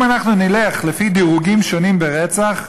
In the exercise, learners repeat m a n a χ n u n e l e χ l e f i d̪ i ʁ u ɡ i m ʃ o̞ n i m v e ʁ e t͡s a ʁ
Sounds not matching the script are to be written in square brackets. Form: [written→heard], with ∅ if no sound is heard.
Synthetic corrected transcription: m a n a χ n u n [e→i] l e χ l e f i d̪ i ʁ u ɡ i m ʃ o̞ n i m [v→b] e ʁ e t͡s a [ʁ→χ]